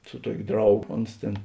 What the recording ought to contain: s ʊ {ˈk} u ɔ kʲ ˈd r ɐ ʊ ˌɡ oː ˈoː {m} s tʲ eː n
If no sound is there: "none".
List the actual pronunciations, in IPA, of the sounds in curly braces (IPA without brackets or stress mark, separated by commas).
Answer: t, n